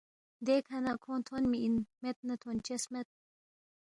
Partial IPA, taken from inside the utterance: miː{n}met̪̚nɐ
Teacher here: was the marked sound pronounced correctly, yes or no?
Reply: yes